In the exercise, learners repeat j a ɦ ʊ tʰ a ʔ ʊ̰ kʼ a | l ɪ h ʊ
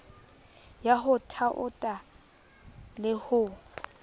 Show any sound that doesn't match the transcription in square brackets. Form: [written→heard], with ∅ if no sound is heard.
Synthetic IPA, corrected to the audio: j a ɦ ʊ tʰ a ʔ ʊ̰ [kʼ→tʼ] a | l ɪ h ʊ